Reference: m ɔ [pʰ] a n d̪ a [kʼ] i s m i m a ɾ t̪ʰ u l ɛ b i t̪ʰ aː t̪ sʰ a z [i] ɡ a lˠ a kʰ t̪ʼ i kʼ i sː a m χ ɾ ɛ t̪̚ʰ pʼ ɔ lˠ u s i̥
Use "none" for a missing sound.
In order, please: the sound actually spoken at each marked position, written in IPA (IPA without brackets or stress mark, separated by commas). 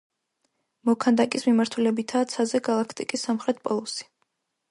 kʰ, kʼ, ɛ